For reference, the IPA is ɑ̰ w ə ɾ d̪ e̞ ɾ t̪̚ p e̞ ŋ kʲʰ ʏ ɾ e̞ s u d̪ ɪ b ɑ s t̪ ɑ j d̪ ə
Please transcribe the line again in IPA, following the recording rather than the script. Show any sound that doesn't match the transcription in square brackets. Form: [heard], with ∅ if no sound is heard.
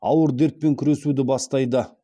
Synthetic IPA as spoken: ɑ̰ w ə ɾ d̪ e̞ ɾ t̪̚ p e̞ ŋ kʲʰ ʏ ɾ e̞ s u d̪ ɪ b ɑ s t̪ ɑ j d̪ ə

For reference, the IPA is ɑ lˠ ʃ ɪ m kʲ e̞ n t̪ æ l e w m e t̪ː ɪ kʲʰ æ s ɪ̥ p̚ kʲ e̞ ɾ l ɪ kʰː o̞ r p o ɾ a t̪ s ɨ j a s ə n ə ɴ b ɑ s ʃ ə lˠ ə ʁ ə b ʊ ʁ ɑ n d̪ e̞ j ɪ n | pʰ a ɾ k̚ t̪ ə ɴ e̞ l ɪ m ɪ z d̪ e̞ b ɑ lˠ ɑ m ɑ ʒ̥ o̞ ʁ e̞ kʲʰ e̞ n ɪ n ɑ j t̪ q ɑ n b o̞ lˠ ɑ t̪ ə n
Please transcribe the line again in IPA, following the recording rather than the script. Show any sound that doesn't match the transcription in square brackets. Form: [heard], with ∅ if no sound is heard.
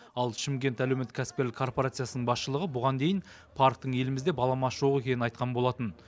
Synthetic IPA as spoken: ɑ lˠ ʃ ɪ m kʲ e̞ n t̪ æ l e w m e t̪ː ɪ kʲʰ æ s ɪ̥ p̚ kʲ e̞ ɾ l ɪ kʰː o̞ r p o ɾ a t̪ s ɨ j a s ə n ə ɴ b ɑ s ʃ ə lˠ ə ʁ ə b ʊ ʁ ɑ n d̪ e̞ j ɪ n | pʰ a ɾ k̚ t̪ ə ɴ e̞ l ɪ m ɪ z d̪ e̞ b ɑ lˠ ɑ m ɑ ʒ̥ o̞ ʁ e̞ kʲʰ e̞ n ɪ n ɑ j t̪ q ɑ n b o̞ lˠ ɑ t̪ ə n

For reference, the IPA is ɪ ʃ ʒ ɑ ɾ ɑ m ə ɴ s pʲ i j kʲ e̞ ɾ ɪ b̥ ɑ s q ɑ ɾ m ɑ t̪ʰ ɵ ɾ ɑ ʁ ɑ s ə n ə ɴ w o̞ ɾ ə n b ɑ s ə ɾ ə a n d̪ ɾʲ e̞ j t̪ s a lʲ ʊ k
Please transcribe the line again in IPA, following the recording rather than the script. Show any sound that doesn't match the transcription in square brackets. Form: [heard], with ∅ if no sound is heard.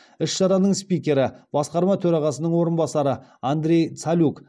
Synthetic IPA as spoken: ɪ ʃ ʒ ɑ ɾ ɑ [n] ə ɴ s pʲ i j kʲ e̞ ɾ ɪ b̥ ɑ s q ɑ ɾ m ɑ t̪ʰ ɵ ɾ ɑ ʁ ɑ s ə n ə ɴ w o̞ ɾ ə n b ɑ s [ɑ] ɾ ə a n d̪ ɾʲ e̞ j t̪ s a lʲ [u] k

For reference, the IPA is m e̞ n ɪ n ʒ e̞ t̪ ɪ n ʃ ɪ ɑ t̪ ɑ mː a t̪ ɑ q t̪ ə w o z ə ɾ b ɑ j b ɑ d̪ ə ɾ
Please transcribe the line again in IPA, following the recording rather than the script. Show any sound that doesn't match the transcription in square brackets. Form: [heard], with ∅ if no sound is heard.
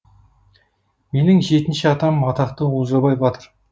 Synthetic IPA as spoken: m e̞ n ɪ [ŋ] ʒ e̞ t̪ ɪ n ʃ ɪ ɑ t̪ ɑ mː [ɑ] t̪ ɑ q t̪ ə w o z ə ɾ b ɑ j b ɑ [t̪] ə ɾ

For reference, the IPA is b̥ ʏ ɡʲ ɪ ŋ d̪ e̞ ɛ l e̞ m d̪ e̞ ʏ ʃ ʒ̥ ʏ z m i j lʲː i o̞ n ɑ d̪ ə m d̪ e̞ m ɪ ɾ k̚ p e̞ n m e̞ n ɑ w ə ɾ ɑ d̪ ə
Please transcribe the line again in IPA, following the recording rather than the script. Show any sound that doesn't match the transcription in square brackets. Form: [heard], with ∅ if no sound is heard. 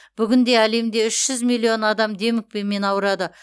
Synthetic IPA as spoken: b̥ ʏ ɡʲ ɪ [n] d̪ e̞ [æ] l e̞ m d̪ e̞ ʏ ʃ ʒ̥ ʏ z m i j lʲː i o̞ n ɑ d̪ [ɑ] m d̪ e̞ m ɪ [∅] k̚ p e̞ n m e̞ n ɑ w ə ɾ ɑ d̪ ə

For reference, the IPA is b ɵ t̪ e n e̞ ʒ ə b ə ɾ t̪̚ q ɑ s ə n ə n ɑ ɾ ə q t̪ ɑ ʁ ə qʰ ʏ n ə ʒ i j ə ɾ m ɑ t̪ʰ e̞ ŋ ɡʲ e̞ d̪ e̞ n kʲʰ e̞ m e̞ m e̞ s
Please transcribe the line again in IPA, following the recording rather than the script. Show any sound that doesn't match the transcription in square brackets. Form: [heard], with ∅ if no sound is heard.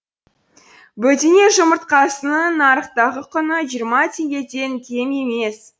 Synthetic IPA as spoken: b ɵ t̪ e n e̞ ʒ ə [m] ə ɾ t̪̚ q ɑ s ə n ə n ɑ ɾ ə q t̪ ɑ ʁ ə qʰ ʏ n ə ʒ i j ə ɾ m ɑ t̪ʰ e̞ ŋ ɡʲ e̞ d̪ e̞ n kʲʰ e̞ m e̞ m e̞ s

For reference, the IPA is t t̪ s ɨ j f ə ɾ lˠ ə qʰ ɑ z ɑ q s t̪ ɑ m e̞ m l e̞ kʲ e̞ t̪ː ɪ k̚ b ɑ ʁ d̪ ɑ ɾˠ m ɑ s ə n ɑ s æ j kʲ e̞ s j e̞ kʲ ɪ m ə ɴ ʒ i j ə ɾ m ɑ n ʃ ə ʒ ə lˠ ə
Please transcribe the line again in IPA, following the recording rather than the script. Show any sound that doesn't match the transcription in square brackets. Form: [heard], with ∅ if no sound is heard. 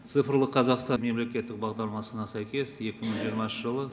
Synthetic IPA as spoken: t t̪ s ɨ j f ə ɾ lˠ ə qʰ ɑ z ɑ q s t̪ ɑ m e̞ m l e̞ kʲ e̞ t̪ː ɪ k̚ b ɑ ʁ d̪ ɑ ɾˠ m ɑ s ə n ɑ s æ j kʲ e̞ s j e̞ kʲ ɪ m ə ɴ ʒ i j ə ɾ m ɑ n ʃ ə ʒ ə lˠ ə

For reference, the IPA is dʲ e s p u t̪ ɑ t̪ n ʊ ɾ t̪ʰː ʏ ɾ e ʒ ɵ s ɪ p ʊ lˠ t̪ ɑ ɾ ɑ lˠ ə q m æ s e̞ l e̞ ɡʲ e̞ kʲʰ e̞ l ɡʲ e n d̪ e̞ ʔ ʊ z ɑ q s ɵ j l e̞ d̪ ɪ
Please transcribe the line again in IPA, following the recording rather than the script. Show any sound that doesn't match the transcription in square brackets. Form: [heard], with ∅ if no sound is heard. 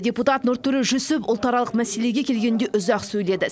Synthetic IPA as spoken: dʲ e [∅] p u t̪ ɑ t̪ n ʊ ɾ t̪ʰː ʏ ɾ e ʒ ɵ s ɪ p ʊ lˠ t̪ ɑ ɾ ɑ lˠ ə q m æ s e̞ l e̞ ɡʲ e̞ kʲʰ e̞ l ɡʲ e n d̪ e̞ ʔ ʊ z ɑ q s ɵ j l e̞ d̪ ɪ

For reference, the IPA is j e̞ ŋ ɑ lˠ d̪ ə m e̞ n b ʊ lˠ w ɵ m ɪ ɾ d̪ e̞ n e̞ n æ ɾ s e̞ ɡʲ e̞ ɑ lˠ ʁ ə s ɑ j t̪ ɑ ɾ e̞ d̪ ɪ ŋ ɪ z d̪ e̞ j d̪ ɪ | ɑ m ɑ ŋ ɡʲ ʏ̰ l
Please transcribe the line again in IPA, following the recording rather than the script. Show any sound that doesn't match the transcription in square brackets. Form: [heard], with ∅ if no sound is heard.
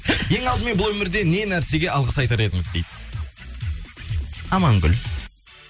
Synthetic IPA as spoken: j e̞ ŋ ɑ lˠ d̪ ə m e̞ n b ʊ lˠ w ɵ m ɪ ɾ d̪ e̞ n e̞ n æ ɾ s e̞ ɡʲ e̞ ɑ lˠ ʁ ə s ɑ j t̪ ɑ ɾ e̞ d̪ ɪ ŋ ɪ z d̪ e̞ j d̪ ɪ | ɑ m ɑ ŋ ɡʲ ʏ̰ l

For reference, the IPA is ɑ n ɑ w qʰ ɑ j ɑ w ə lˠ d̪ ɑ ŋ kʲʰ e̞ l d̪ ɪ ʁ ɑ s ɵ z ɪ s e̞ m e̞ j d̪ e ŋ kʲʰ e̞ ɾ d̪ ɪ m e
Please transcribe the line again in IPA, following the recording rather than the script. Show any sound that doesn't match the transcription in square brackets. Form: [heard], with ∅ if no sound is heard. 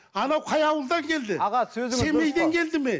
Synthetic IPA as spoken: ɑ n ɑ w qʰ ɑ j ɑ w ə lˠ d̪ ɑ ŋ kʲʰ e̞ l d̪ ɪ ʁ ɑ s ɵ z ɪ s e̞ m e̞ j d̪ e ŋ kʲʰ e̞ [l] d̪ ɪ m e

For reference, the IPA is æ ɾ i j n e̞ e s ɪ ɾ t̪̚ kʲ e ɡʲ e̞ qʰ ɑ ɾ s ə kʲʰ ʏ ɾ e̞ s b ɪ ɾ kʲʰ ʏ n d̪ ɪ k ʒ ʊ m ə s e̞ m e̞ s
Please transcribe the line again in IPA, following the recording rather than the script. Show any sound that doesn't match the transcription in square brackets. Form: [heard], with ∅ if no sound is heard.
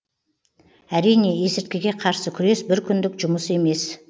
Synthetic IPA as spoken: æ ɾ i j n e̞ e s ɪ ɾ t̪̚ kʲ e ɡʲ e̞ qʰ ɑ ɾ s ə kʲʰ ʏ ɾ e̞ s b ɪ ɾ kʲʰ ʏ n d̪ ɪ k ʒ ʊ m ə s e̞ m e̞ s

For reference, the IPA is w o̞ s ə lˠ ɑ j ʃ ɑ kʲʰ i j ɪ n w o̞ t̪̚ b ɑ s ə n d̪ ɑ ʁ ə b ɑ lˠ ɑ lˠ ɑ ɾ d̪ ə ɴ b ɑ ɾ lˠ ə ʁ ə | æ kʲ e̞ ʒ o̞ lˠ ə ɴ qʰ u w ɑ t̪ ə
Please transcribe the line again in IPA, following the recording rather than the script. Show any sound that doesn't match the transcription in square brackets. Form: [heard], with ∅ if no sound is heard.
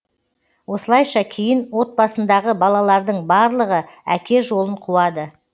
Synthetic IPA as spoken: w o̞ s ə lˠ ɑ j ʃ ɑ kʲʰ [e] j ɪ n w o̞ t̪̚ b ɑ s ə n d̪ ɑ ʁ ə b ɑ lˠ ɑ lˠ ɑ ɾ d̪ ə ɴ b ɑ ɾ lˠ ə ʁ ə | æ kʲ e̞ ʒ o̞ lˠ ə ɴ qʰ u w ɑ [d̪] ə

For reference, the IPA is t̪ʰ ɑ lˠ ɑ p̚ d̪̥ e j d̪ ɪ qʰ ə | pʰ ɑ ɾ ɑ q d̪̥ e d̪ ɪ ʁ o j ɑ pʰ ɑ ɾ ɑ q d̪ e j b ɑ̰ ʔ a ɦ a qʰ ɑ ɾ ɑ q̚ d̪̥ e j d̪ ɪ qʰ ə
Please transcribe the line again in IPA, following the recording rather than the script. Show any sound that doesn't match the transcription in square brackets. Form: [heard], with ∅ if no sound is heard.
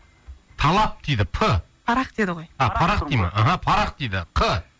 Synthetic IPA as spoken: t̪ʰ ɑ lˠ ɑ p̚ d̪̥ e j d̪ ɪ [pʰ] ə | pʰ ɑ ɾ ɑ q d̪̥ e d̪ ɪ ʁ o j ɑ pʰ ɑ ɾ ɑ q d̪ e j [m] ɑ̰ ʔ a ɦ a [pʰ] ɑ ɾ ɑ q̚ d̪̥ e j d̪ ɪ qʰ ə

